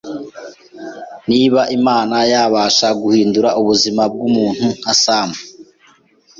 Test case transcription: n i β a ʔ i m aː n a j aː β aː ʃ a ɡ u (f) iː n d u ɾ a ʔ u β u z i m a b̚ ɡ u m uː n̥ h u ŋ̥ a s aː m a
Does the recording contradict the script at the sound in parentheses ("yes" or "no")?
yes